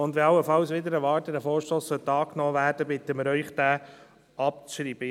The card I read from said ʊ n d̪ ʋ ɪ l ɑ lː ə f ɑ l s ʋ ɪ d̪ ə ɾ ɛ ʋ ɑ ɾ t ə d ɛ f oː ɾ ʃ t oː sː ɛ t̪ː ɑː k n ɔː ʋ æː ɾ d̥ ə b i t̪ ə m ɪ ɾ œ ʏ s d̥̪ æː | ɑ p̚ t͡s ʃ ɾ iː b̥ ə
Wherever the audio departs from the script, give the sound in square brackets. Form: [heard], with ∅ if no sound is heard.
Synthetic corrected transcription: ʊ n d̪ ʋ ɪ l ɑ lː ə f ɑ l s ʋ ɪ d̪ ə ɾ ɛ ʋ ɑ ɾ t ə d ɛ f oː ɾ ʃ t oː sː [œ] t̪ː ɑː k n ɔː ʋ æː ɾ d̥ ə b [ɪ] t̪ ə m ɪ ɾ œ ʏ [χ] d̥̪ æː | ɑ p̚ t͡s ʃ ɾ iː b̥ ə

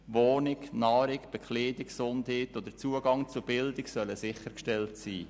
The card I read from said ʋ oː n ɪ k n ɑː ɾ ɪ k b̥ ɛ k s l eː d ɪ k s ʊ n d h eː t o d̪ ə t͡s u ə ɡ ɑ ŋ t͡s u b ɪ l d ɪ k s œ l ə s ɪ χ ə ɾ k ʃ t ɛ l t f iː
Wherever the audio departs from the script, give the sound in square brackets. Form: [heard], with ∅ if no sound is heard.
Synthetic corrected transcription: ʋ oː n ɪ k n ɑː ɾ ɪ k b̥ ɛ k [χ] l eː d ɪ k s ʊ n d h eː t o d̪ ə t͡s u ə ɡ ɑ ŋ t͡s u b ɪ l d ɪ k s œ l ə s ɪ χ ə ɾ k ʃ t ɛ l t [s] iː

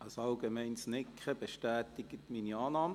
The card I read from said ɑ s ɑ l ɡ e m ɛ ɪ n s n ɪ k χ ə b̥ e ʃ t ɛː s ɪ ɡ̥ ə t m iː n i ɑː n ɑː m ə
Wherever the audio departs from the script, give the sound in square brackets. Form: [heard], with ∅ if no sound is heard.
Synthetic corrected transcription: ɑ s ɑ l ɡ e m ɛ ɪ n s n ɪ k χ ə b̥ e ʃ t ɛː [t] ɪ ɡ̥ ə t m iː n i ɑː n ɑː m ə

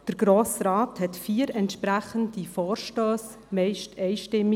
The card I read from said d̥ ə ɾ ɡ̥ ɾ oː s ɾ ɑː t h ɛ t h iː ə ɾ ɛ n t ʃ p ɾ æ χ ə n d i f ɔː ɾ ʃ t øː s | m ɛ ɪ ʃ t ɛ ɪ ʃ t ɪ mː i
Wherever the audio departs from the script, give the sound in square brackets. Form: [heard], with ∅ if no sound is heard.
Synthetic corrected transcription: d̥ ə ɾ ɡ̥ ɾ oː s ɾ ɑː t h ɛ t [f] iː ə ɾ ɛ n t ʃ p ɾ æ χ ə n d i f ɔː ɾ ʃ t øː s | m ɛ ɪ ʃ t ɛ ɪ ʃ t ɪ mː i

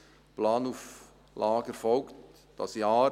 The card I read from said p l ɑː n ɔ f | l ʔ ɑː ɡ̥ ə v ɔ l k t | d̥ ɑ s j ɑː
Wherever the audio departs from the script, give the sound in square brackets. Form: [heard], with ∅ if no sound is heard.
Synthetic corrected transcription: p l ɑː n [u] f | l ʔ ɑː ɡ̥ ə [f] ɔ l k t | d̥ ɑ s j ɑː

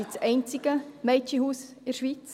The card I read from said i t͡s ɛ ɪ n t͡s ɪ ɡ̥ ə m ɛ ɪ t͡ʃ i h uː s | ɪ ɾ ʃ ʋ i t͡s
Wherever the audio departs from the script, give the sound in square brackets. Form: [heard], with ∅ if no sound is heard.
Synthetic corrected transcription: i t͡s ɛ ɪ n t͡s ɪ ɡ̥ ə m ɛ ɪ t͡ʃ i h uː s | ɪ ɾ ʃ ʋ i t͡s

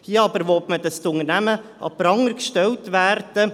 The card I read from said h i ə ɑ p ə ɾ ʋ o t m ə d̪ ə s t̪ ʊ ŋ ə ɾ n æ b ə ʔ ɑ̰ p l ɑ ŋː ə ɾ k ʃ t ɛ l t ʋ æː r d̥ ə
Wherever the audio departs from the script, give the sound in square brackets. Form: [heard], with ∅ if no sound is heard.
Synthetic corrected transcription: h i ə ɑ [b] ə ɾ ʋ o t m ə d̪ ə s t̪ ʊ ŋ ə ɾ n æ [m] ə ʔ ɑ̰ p [ɾ] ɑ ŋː ə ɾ k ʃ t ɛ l t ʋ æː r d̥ ə

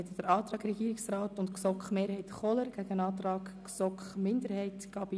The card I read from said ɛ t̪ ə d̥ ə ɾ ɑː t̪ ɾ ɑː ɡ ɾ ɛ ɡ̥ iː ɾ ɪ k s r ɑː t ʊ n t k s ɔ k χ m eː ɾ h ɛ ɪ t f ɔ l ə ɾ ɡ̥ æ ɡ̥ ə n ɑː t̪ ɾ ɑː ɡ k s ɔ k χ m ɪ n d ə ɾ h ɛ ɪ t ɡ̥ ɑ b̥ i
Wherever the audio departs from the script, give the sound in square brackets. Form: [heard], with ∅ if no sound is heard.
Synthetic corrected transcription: ɛ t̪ ə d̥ ə ɾ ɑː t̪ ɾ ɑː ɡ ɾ ɛ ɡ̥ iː ɾ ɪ k s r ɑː t ʊ n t k s ɔ k χ m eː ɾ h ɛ ɪ t [χ] ɔ l ə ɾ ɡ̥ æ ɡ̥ ə n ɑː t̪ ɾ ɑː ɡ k s ɔ k χ m ɪ n d ə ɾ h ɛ ɪ t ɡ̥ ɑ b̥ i

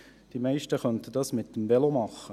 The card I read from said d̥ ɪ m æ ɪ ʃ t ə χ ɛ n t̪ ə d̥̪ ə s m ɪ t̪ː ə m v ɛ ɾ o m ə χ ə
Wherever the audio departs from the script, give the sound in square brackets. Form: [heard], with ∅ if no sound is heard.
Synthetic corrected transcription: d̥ [i] m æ ɪ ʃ t ə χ [œ] n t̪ ə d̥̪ [ɑ] s m ɪ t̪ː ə m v ɛ [l] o m [ɑ] χ ə

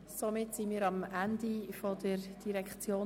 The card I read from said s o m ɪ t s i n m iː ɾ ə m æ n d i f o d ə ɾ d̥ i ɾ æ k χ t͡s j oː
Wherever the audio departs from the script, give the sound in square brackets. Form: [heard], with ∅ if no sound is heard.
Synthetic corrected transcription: s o m ɪ t s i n m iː ɾ [ɑ] m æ n d i f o d ə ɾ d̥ i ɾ [ɛ] k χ t͡s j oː

